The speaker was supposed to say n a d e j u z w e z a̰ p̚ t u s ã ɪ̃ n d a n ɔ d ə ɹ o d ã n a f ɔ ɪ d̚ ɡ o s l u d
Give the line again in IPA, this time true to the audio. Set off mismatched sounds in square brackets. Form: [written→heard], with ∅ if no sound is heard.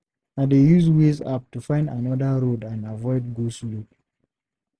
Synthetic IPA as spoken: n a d e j u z w e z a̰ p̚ t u [s→f] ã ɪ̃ n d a n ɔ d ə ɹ o d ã n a [f→v] ɔ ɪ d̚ ɡ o s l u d

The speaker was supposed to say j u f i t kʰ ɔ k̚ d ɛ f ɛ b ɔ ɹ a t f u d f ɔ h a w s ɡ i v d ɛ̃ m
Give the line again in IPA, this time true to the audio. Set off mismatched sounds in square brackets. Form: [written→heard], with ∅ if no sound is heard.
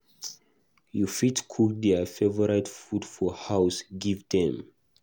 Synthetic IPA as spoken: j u f i t kʰ [ɔ→u] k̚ d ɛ f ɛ [b→v] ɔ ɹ a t f u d f ɔ h a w s ɡ i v d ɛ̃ m

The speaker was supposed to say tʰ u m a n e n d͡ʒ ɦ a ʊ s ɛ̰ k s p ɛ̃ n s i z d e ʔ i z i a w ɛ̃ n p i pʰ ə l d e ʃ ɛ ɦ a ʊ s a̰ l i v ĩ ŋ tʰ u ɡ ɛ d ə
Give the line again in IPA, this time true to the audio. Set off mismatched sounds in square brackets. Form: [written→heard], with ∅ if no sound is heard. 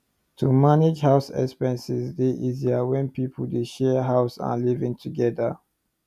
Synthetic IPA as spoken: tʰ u m a n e [n→∅] d͡ʒ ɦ a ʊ s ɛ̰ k s p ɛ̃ n s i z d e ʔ i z i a w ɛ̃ n p i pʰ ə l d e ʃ ɛ ɦ a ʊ s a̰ l i v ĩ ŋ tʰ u ɡ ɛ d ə

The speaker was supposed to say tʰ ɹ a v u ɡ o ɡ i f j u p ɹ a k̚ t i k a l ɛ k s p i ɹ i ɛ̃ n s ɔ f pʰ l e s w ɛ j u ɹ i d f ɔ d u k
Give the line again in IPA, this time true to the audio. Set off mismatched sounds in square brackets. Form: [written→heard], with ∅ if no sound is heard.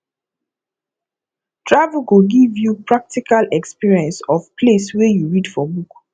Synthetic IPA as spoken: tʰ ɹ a v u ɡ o ɡ i [f→v] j u p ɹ a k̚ t i k a l ɛ k s p i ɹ i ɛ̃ n s ɔ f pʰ l e s w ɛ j u ɹ i d f ɔ [d→b] u k

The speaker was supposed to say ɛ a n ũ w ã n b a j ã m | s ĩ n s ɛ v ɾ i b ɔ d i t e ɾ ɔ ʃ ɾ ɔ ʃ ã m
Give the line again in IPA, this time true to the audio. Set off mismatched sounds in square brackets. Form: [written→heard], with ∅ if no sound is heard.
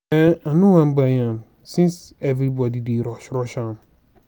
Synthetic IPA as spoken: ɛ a n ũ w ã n b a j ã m | s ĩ n s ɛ v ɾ i b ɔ d i [t→d] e ɾ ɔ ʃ ɾ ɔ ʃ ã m

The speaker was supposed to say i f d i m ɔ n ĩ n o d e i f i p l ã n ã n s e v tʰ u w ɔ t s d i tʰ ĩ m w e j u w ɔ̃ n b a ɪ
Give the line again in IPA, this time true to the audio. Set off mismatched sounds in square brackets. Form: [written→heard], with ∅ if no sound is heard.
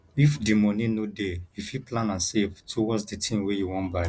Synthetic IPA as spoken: i f d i m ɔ n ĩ n o d e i f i p l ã n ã n s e v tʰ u w ɔ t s d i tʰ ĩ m w e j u w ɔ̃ n b a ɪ

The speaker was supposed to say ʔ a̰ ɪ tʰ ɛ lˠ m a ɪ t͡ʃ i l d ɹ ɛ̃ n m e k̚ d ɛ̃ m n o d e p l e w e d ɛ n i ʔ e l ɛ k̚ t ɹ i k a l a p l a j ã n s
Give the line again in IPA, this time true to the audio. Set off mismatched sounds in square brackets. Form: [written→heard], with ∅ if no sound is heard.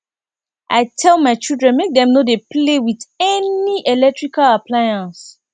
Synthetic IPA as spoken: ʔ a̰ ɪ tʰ ɛ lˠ m a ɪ t͡ʃ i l d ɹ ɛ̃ n m e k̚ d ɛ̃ m n o d e p l e w [e→i] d ɛ n i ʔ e l ɛ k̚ t ɹ i k a l a p l a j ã n s

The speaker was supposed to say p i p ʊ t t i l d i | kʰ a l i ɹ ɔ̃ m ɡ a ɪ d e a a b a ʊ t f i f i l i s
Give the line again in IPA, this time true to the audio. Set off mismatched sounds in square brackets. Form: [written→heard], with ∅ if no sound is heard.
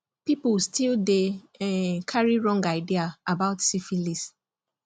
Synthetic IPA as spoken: p i p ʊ [t→s] t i l d [i→e] | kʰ a [l→ɹ] i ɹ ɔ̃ [m→ŋ] ɡ a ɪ d [e→i] a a b a ʊ t [f→s] i f i l i s

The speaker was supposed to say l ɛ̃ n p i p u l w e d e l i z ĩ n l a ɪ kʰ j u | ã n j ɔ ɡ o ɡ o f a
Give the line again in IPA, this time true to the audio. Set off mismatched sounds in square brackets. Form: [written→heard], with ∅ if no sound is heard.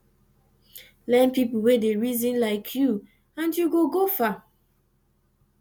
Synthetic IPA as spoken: l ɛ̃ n p i p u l w e d e [l→ɹ] i z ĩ n l a ɪ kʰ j u | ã n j [ɔ→u] ɡ o ɡ o f a

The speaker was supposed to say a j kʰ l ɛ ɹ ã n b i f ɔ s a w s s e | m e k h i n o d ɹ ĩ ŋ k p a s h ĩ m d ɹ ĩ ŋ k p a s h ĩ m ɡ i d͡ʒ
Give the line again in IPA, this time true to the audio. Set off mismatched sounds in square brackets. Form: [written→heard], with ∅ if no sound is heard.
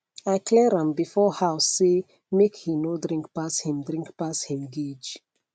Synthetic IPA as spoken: a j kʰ l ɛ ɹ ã [n→m] b i f ɔ [s→h] a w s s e | m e k h i n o d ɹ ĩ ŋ k p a s h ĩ m d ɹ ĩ ŋ k p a s h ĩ m ɡ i d͡ʒ

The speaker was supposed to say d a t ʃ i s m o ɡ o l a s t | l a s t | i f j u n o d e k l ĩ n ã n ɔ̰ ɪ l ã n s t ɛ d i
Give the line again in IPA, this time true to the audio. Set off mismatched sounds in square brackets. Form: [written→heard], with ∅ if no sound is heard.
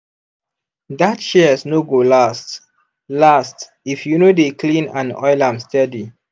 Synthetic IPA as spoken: d a t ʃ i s [m→n] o ɡ o l a s t | l a s t | i f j u n o d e k l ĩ n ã n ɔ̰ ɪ l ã [n→m] s t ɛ d i

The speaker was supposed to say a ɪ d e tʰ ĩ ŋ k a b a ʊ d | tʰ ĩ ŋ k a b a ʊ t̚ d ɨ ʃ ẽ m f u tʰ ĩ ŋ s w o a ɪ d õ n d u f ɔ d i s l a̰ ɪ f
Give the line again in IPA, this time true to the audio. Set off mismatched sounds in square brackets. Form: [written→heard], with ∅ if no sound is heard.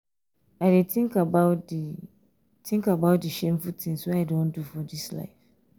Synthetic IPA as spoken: a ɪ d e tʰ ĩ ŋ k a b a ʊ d | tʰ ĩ ŋ k a b a ʊ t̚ d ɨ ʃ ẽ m f u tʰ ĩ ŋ s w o a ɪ d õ n d u f ɔ d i s l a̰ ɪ f

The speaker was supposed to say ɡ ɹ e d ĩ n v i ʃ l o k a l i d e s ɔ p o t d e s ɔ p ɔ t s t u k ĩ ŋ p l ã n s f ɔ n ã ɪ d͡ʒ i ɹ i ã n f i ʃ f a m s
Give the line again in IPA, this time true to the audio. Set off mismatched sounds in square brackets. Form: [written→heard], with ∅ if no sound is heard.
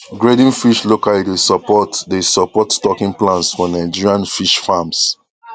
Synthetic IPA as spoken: ɡ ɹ e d ĩ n [v→f] i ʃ l o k a l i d e s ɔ p [o→ɔ] t d e s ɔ p ɔ t s t [u→ɔ] k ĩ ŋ p l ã n s f ɔ n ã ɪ d͡ʒ i ɹ i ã n f i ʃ f a m s

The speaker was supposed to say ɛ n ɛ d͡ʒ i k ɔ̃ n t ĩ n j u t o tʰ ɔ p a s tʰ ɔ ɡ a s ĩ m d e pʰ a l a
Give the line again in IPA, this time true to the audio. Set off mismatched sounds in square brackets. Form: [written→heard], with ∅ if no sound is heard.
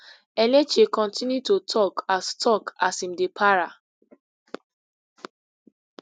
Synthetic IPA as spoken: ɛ n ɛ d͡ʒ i k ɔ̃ n t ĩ n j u t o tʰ ɔ [p→k] a s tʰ ɔ [ɡ→k] a s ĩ m d e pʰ a [l→ɹ] a

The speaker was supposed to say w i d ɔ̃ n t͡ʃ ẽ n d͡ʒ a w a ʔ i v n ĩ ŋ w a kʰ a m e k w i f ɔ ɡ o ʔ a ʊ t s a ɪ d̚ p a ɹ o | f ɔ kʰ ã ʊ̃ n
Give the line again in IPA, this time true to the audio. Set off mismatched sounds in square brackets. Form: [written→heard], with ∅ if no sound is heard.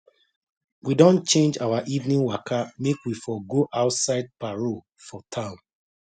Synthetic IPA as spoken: w i d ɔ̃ n t͡ʃ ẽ n d͡ʒ a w a ʔ i v n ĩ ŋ w a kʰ a m e k w i f ɔ ɡ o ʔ a ʊ t s a ɪ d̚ p a ɹ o | f ɔ [kʰ→tʰ] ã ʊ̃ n

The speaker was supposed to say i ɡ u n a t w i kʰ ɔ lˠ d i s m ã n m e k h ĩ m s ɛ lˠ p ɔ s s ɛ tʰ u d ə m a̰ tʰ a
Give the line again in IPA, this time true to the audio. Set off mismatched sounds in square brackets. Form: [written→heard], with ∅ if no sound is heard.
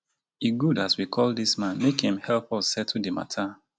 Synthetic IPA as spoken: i ɡ u [n→d] a [t→s] w i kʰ ɔ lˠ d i s m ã n m e k h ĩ m [s→h] ɛ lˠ p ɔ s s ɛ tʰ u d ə m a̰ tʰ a

